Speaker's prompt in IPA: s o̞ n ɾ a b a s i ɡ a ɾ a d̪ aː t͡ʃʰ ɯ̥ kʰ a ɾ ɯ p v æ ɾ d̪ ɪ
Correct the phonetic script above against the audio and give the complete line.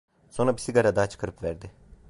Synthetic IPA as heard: s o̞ n ɾ a b i s i ɡ a ɾ a d̪ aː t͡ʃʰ ɯ̥ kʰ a ɾ ɯ p v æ ɾ d̪ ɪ